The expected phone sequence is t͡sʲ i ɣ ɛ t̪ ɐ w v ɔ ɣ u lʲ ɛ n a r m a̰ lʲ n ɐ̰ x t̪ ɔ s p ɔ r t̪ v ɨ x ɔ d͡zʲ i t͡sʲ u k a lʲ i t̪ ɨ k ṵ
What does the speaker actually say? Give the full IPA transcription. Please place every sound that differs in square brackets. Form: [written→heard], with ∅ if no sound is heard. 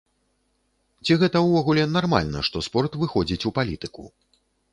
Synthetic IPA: t͡sʲ i ɣ ɛ t̪ ɐ w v ɔ ɣ u lʲ ɛ n a r m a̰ lʲ n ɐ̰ [x→ʂ] t̪ ɔ s p ɔ r t̪ v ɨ x ɔ d͡zʲ i t͡sʲ u [k→p] a lʲ i t̪ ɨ k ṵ